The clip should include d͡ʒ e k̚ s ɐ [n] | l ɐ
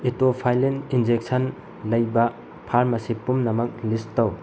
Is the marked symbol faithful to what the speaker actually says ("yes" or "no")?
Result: yes